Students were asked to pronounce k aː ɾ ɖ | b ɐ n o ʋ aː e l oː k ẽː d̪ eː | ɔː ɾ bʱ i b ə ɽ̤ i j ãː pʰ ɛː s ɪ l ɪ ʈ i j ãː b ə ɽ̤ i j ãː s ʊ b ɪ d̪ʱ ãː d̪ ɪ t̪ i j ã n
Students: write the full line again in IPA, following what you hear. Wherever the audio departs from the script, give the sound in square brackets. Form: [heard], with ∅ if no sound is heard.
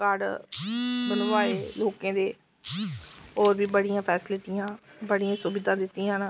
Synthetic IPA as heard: k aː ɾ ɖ | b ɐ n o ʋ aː e l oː k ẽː d̪ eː | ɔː ɾ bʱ i b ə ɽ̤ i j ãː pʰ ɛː s ɪ l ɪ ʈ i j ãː b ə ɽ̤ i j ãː s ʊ b ɪ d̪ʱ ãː d̪ ɪ t̪ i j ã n